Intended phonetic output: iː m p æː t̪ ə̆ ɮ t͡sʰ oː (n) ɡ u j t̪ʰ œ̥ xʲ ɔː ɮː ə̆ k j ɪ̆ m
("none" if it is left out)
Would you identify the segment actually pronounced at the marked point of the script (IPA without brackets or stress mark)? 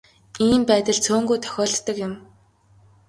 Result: ŋ